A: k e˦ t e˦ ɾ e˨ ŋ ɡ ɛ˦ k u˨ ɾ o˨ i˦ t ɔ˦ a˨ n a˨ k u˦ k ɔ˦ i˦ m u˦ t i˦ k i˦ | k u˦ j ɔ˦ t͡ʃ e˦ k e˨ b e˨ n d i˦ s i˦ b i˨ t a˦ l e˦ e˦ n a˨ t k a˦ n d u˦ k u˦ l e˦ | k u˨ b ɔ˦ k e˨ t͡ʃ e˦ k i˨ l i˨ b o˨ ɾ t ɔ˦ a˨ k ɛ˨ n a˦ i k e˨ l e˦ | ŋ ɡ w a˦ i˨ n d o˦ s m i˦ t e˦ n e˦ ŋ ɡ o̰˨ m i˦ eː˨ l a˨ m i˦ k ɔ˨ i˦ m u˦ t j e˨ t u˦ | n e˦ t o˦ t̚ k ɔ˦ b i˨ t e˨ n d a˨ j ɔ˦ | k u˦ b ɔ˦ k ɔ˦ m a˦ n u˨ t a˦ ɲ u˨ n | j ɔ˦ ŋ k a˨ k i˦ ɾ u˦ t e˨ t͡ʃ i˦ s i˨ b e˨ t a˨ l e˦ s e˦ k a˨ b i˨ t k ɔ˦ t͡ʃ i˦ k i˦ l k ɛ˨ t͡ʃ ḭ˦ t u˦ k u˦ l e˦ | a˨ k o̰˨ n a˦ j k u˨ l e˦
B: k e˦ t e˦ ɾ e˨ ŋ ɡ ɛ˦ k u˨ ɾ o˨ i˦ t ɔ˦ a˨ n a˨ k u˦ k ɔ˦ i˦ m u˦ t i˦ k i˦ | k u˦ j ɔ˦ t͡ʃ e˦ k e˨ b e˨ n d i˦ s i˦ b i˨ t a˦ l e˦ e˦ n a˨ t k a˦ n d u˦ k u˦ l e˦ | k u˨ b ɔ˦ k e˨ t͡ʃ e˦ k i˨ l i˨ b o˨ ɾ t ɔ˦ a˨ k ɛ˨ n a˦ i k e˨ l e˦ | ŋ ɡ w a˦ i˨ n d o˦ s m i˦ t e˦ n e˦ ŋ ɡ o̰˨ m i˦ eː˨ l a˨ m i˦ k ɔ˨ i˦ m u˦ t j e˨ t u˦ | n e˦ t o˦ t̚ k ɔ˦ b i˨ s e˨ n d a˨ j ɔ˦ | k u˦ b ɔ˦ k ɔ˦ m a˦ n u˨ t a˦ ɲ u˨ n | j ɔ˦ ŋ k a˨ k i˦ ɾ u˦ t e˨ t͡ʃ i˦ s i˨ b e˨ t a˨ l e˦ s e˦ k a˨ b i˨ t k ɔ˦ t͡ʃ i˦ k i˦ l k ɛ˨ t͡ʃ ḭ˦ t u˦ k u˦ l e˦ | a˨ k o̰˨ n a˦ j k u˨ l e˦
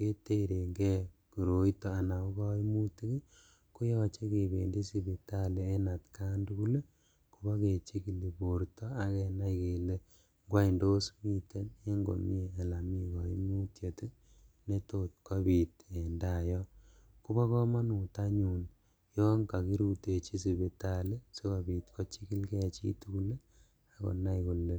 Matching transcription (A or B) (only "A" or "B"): A